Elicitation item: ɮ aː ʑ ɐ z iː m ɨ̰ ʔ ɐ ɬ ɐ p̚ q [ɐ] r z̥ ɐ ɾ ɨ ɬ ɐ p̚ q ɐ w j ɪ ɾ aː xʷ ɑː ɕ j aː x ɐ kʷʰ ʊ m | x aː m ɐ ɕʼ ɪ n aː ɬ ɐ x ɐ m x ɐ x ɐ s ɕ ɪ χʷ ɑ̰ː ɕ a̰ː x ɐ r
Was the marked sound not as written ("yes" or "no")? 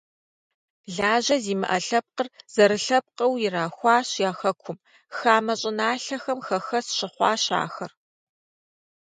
yes